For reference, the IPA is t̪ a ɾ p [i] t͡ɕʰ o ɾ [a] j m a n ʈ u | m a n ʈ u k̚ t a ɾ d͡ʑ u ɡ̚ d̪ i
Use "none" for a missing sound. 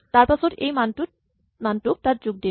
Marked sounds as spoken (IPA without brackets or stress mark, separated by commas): a, e